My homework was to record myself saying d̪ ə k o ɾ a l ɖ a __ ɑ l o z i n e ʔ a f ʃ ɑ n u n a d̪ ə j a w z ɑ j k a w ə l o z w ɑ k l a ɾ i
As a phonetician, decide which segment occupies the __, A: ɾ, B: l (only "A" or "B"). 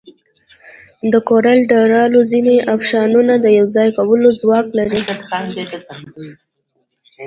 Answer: A